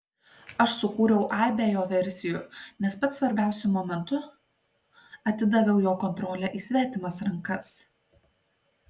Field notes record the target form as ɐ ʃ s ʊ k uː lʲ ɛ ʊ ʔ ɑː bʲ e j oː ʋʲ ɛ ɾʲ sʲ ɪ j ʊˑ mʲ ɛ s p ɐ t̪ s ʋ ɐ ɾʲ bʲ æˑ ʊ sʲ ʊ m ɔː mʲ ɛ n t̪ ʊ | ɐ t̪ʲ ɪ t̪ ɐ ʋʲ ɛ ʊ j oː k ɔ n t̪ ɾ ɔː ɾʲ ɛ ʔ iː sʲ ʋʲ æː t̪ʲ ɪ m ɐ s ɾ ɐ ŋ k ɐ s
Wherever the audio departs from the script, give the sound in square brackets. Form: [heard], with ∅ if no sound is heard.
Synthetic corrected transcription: ɐ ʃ s ʊ k uː [ɾʲ] ɛ ʊ ʔ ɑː bʲ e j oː ʋʲ ɛ ɾʲ sʲ ɪ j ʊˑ [nʲ] ɛ s p ɐ t̪ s ʋ ɐ ɾʲ bʲ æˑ ʊ sʲ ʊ m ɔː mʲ ɛ n t̪ ʊ | ɐ t̪ʲ ɪ [d̪] ɐ ʋʲ ɛ ʊ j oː k ɔ n t̪ ɾ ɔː [lʲ] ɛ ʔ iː sʲ ʋʲ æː t̪ʲ ɪ m ɐ s ɾ ɐ ŋ k ɐ s